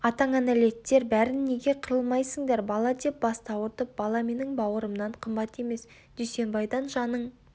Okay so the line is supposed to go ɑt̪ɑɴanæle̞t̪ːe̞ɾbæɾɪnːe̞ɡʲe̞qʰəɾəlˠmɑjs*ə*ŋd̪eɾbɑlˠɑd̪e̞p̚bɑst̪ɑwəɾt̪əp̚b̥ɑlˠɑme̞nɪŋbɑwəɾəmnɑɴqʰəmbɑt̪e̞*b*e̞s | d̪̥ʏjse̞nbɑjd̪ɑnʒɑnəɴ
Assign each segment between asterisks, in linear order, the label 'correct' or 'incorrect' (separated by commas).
correct, incorrect